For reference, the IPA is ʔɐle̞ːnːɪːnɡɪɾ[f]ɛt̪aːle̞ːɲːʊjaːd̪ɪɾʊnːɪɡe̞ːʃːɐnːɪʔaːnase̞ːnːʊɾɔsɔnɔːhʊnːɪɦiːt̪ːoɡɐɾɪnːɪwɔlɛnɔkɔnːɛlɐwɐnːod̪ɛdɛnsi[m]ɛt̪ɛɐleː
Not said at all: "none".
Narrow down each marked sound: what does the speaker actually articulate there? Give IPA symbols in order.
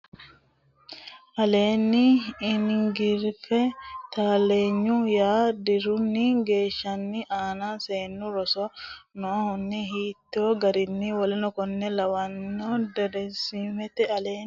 f, m

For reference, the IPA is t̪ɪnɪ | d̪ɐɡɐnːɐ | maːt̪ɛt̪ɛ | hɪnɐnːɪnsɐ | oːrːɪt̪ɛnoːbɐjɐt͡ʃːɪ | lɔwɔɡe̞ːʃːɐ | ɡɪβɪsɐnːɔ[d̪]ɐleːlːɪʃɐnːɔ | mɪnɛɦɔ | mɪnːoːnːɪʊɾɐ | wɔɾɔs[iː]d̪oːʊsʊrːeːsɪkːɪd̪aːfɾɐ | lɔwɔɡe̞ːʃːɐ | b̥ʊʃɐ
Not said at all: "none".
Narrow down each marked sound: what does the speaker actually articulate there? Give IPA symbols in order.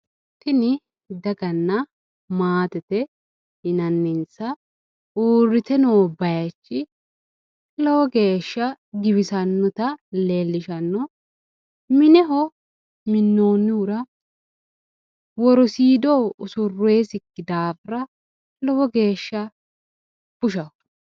t̪, iː

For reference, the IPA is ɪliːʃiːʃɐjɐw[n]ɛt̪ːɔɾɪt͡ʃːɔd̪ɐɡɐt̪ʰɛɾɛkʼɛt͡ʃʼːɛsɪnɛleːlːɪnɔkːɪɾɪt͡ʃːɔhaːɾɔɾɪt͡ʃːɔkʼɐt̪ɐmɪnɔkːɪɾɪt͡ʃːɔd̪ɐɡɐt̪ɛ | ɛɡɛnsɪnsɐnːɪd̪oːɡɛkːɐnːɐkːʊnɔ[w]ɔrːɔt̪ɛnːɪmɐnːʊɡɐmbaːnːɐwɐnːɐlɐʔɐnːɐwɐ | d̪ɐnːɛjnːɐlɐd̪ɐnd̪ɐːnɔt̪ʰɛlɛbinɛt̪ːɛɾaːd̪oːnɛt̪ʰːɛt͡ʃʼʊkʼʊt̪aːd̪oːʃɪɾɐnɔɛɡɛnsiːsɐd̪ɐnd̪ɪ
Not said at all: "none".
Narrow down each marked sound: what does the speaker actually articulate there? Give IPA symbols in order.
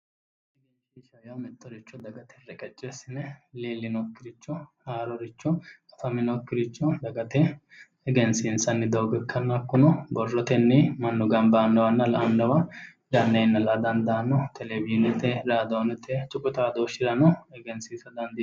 m, b

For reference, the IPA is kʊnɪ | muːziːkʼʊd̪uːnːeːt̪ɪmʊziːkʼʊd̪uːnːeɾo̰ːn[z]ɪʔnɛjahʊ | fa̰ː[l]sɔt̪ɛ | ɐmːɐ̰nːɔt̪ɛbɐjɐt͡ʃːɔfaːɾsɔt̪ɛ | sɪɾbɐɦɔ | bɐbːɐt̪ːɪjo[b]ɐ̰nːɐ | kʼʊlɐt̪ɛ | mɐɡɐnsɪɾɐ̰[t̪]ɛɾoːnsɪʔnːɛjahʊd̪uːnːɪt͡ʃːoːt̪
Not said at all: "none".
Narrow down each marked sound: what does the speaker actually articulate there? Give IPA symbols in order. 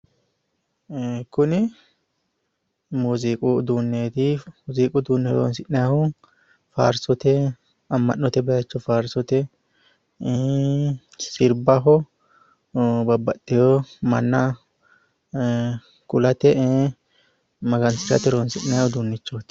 s, ɾ, m, t̪

